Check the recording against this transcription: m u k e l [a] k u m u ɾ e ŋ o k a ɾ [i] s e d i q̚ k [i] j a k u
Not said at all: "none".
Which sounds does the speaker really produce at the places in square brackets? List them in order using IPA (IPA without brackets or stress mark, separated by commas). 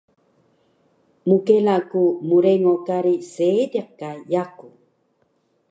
a, i, a